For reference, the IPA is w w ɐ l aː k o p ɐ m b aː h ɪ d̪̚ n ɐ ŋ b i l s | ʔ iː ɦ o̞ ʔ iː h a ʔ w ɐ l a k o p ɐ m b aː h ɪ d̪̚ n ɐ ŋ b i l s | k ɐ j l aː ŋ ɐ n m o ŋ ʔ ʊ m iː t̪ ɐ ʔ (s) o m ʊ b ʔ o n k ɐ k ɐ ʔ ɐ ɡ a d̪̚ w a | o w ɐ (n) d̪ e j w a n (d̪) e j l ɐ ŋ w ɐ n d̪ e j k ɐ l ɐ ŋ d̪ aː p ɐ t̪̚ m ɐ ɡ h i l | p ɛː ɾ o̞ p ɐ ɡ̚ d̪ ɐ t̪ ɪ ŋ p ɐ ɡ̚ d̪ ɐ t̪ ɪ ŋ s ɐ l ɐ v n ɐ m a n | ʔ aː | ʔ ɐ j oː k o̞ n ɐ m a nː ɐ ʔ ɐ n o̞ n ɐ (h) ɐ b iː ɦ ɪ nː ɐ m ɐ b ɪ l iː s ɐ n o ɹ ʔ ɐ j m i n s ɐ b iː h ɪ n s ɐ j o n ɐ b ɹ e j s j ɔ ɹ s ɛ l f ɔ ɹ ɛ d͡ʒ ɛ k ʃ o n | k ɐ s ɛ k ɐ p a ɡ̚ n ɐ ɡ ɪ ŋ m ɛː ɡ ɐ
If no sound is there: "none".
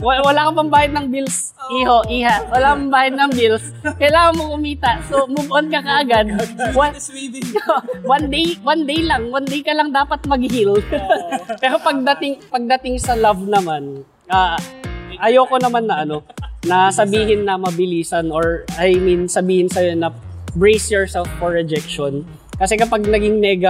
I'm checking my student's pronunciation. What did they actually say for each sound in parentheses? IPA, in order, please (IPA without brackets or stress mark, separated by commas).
s, n, d̪, s